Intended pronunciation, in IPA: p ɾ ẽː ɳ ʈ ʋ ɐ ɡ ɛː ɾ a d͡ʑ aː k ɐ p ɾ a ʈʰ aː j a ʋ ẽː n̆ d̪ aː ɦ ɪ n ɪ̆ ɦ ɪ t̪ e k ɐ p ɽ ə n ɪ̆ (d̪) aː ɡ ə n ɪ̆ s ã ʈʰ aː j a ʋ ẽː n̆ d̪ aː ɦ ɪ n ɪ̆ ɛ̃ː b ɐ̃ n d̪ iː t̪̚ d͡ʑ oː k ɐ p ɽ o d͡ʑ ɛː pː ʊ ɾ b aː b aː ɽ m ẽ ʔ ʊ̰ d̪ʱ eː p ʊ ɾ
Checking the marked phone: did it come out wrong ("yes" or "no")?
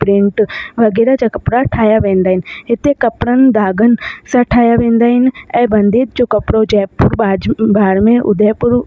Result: no